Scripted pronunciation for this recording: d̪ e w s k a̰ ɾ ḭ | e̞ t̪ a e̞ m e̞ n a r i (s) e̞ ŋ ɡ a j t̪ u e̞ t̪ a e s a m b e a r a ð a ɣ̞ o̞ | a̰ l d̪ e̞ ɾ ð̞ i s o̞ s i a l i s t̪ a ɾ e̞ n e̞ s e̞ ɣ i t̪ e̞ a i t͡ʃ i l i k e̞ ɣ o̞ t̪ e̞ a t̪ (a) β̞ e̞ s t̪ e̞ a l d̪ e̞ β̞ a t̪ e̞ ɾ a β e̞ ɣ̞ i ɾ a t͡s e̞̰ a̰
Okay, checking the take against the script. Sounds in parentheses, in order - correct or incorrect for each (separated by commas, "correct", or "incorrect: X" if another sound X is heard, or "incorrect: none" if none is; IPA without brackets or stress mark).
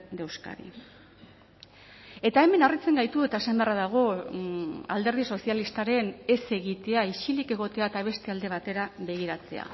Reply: incorrect: t͡s, correct